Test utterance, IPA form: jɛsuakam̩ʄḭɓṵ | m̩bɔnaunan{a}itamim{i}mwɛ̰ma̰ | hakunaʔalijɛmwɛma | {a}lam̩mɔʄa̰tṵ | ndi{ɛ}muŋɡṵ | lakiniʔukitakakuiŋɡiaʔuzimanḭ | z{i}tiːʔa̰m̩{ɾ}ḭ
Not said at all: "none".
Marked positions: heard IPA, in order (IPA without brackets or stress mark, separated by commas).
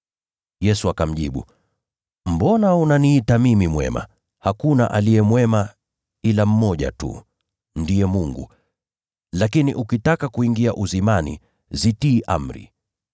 i, i, i, ɛ, i, ɾ